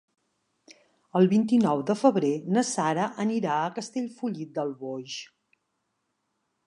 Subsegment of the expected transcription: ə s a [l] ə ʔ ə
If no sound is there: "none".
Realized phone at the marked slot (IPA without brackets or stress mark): ɾ